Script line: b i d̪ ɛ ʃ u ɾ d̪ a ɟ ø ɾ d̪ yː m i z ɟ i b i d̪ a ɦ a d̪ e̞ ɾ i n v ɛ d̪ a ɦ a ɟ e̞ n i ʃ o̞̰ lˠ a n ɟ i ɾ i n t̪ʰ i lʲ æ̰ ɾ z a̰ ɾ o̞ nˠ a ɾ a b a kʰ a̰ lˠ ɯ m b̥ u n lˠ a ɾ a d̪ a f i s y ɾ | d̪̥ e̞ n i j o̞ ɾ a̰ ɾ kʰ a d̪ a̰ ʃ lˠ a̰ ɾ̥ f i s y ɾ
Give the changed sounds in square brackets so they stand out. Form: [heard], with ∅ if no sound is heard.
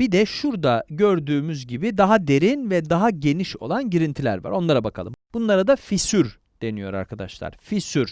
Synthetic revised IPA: b i d̪ ɛ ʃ u ɾ d̪ a ɟ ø ɾ d̪ yː m [y] z ɟ i b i d̪ a ɦ a d̪ e̞ ɾ i n v ɛ d̪ a ɦ a ɟ e̞ n i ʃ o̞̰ lˠ a n ɟ i ɾ i n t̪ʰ i lʲ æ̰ ɾ [v] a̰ ɾ o̞ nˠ a ɾ a b a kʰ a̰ lˠ ɯ m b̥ u n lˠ a ɾ a d̪ a f i s y ɾ | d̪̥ e̞ n i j o̞ ɾ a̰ ɾ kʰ a d̪ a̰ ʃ lˠ a̰ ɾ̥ f i s y ɾ